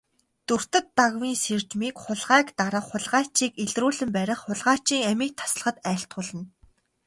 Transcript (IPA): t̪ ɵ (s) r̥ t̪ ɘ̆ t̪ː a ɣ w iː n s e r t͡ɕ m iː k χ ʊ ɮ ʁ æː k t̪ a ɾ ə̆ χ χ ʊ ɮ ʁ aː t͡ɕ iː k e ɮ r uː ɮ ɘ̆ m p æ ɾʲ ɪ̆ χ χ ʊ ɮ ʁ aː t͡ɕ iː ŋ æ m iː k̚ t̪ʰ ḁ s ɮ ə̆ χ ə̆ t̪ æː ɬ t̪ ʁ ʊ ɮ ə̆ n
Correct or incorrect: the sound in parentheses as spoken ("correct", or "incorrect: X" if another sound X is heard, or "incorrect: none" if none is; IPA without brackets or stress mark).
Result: incorrect: none